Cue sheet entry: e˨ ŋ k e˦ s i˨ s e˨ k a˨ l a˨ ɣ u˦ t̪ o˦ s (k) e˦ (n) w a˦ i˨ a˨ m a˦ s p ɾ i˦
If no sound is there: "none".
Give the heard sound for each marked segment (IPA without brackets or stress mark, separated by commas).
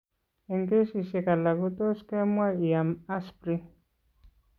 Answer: k, m